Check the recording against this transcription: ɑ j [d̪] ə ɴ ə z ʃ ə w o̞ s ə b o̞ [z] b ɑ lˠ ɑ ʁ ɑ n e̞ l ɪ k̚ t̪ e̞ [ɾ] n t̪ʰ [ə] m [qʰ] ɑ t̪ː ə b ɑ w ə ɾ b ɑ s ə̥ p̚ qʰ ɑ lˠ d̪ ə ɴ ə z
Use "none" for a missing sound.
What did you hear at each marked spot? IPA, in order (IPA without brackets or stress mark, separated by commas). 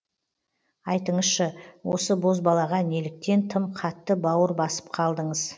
t̪, z, none, ə, qʰ